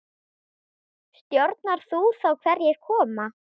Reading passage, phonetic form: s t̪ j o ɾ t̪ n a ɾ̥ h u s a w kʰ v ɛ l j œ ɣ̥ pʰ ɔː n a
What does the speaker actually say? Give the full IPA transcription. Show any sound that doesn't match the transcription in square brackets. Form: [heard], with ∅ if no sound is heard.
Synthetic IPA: s t̪ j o ɾ t̪ n a ɾ̥ [θ] u [θ] a w kʰ v ɛ [ɾ] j [ɛ] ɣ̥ [kʰ] ɔː [m] a